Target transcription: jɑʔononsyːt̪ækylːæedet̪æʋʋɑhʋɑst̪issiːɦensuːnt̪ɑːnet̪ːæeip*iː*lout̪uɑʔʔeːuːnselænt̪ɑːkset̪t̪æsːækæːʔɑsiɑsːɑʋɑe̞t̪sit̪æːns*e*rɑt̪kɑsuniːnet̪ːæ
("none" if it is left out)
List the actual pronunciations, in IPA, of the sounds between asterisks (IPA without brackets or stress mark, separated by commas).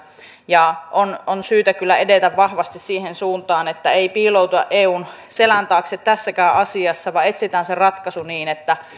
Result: iː, e